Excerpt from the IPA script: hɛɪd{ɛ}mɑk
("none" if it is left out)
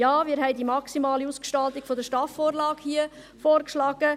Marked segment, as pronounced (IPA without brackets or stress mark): i